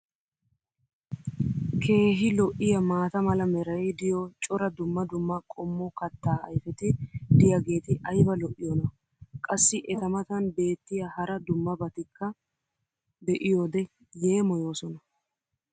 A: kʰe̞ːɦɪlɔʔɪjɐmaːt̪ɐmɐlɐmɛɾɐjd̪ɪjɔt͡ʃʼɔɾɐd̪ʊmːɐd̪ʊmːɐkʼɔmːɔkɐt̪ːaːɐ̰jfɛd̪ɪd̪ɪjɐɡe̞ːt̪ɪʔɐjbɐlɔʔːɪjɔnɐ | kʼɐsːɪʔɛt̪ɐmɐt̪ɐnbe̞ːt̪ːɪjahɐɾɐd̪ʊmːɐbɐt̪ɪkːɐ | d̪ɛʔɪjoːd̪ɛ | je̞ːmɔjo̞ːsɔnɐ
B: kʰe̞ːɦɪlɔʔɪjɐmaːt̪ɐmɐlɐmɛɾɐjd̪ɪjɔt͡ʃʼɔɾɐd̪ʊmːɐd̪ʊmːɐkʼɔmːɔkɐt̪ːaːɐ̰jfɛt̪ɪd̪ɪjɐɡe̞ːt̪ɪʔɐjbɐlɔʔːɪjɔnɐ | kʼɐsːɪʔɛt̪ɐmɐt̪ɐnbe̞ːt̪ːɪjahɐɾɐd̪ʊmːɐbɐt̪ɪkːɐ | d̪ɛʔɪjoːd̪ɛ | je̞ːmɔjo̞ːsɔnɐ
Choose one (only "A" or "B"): B